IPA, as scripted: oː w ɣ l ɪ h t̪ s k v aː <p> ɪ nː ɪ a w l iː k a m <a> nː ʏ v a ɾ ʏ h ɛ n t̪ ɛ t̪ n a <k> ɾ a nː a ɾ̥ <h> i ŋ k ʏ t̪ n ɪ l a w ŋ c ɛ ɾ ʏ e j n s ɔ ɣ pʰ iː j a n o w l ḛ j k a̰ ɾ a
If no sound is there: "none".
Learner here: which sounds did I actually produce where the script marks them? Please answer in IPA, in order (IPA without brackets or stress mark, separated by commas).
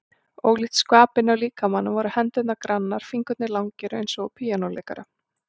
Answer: p, a, k, f